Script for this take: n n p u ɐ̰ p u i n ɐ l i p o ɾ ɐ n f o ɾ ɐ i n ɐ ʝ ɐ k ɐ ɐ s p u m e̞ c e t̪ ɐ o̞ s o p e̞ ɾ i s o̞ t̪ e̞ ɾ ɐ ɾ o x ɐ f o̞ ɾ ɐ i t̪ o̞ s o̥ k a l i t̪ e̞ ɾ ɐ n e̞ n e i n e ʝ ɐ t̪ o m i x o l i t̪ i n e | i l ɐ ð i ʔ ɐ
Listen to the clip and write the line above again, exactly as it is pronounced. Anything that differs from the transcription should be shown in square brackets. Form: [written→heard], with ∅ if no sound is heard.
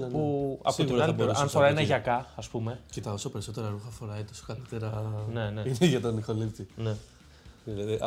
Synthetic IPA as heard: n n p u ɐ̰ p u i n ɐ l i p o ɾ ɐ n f o ɾ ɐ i n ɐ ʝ ɐ k ɐ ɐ s p u m e̞ c e t̪ ɐ o̞ s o p e̞ ɾ i s o̞ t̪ e̞ ɾ ɐ ɾ [o→u] x ɐ f o̞ ɾ ɐ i t̪ o̞ s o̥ k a l i t̪ e̞ ɾ ɐ n e̞ n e i n e ʝ ɐ t̪ o [m→n] i x o l i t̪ i n e | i l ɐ ð i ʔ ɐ